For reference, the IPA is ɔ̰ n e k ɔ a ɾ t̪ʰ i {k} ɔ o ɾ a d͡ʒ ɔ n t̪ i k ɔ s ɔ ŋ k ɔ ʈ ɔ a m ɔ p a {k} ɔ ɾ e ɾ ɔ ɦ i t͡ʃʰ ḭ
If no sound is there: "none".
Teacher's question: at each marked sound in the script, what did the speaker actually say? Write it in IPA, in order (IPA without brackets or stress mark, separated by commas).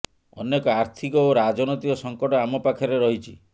k, kʰ